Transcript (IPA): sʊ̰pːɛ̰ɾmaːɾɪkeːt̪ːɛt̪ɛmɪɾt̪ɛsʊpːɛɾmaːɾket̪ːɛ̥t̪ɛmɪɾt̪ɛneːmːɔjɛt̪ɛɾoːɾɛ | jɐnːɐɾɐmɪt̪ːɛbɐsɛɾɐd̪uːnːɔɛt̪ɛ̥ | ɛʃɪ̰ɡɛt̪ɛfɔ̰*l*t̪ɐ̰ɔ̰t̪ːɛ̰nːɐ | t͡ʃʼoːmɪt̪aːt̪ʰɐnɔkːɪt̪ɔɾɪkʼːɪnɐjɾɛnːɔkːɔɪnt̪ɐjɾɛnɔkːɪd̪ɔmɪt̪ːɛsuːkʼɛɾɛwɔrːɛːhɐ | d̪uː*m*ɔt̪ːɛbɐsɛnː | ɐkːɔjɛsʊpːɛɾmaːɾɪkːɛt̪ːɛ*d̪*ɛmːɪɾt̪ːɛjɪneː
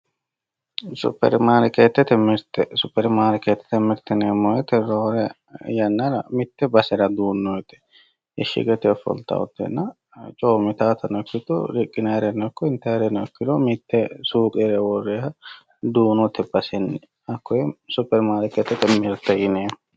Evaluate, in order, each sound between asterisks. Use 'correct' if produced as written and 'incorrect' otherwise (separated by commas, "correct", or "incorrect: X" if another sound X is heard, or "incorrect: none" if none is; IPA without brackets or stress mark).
correct, incorrect: n, incorrect: t̪